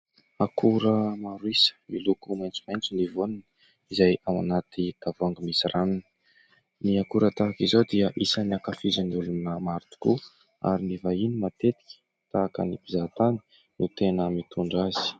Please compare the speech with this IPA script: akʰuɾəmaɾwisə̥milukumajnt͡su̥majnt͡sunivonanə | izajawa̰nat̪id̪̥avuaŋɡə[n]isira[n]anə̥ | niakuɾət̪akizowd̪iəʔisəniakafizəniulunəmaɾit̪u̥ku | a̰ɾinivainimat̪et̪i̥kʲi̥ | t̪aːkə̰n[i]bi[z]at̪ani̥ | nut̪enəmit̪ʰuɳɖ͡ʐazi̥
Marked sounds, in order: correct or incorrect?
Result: incorrect, correct, correct, correct

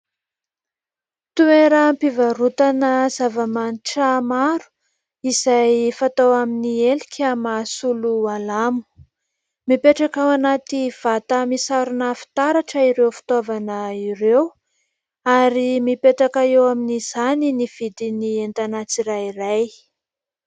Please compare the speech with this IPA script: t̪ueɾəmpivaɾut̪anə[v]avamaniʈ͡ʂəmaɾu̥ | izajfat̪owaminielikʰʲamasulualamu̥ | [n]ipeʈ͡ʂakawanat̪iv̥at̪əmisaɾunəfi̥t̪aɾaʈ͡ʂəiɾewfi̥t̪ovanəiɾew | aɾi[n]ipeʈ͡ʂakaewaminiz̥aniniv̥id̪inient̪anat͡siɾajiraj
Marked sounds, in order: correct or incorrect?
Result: incorrect, incorrect, incorrect

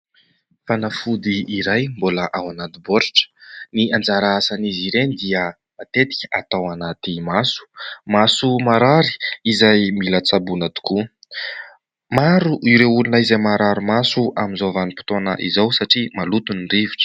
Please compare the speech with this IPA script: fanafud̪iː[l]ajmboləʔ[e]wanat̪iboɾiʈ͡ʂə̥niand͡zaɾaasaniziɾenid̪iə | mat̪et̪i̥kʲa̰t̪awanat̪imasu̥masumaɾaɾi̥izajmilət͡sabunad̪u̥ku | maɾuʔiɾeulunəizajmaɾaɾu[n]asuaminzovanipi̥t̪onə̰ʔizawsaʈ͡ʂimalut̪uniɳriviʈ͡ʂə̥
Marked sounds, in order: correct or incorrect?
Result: incorrect, incorrect, incorrect

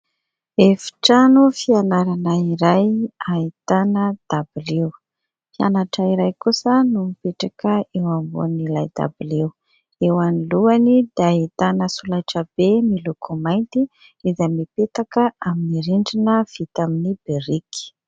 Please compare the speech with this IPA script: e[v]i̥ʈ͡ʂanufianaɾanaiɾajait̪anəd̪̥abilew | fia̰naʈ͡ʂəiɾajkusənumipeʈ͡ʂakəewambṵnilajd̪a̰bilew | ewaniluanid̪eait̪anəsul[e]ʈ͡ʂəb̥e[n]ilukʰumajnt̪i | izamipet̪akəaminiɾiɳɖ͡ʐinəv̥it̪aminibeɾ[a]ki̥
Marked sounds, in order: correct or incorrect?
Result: incorrect, incorrect, incorrect, incorrect

